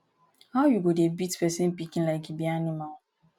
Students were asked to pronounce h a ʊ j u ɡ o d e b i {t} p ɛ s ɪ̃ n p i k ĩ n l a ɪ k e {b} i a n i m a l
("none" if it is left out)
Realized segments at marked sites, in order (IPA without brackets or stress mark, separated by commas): t, b